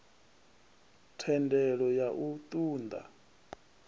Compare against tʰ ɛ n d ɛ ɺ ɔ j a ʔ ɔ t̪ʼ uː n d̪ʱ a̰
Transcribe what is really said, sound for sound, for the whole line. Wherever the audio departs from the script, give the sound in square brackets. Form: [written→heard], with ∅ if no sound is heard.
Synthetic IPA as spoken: tʰ ɛ n d ɛ ɺ ɔ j a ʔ [ɔ→u] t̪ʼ uː n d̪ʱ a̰